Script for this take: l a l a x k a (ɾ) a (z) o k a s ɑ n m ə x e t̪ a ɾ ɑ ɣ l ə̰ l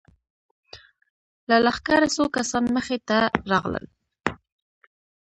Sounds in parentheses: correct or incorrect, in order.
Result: correct, incorrect: s

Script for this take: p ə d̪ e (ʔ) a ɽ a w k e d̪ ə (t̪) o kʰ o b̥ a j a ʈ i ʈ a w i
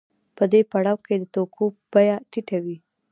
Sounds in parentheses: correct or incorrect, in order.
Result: incorrect: p, correct

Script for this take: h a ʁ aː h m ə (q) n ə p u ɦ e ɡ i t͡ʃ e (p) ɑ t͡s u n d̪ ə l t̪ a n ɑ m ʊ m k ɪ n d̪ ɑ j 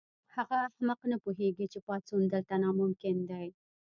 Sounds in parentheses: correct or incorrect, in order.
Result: correct, correct

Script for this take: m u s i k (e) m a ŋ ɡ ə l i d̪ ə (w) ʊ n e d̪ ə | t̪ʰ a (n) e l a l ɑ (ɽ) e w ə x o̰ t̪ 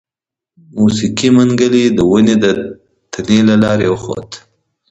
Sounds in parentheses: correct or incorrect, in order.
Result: incorrect: i, correct, correct, incorrect: ɾ

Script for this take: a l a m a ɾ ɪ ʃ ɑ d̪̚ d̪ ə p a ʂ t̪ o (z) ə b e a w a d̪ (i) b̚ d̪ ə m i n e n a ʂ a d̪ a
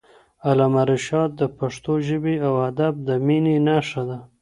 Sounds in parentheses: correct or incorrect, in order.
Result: incorrect: ʒ, incorrect: a

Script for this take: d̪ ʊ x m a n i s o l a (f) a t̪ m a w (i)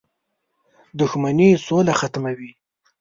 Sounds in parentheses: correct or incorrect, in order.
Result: incorrect: x, correct

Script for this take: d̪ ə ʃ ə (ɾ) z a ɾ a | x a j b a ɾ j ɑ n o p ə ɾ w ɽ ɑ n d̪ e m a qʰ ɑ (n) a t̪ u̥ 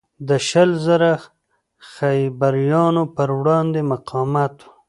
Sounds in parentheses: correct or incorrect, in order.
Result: incorrect: l, incorrect: m

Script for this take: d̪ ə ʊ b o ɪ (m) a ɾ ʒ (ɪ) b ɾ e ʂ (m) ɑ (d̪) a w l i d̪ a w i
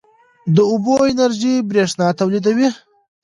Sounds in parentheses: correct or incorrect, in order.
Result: incorrect: n, incorrect: i, incorrect: n, incorrect: t̪

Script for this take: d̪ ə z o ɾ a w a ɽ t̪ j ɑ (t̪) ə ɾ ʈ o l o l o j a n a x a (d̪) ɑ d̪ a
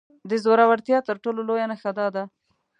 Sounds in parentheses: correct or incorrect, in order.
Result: correct, correct

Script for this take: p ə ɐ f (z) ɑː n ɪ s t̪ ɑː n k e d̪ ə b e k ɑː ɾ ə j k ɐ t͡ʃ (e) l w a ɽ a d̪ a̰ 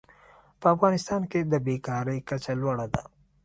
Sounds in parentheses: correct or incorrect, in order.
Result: incorrect: ɣ, incorrect: a

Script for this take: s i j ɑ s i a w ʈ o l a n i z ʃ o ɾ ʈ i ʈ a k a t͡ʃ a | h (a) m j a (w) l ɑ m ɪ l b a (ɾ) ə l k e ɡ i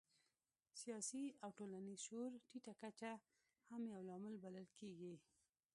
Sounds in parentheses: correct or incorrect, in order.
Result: correct, correct, incorrect: l

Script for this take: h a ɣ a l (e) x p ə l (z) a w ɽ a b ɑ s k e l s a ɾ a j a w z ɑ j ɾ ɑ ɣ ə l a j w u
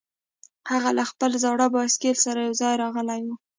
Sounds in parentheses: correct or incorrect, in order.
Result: incorrect: a, correct

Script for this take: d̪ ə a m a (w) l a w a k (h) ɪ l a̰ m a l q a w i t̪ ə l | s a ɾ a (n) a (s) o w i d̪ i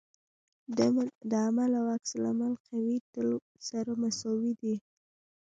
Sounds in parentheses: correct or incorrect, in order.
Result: incorrect: none, incorrect: s, incorrect: m, correct

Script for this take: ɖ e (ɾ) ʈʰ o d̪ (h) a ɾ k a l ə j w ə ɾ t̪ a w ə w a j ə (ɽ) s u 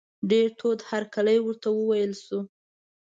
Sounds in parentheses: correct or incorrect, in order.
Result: correct, correct, incorrect: l

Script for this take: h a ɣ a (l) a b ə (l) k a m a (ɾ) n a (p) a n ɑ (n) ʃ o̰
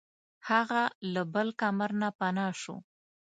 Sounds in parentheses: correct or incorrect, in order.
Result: correct, correct, correct, correct, incorrect: none

